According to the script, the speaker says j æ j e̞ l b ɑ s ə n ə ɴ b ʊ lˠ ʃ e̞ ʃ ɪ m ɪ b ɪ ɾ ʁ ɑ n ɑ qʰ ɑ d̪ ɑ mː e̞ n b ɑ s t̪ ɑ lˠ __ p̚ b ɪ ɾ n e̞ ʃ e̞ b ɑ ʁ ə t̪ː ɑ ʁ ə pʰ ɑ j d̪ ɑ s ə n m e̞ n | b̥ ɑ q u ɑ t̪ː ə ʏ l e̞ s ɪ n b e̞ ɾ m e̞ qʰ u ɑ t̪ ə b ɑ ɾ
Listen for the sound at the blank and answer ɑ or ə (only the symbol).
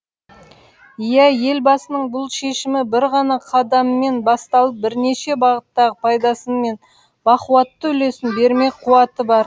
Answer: ə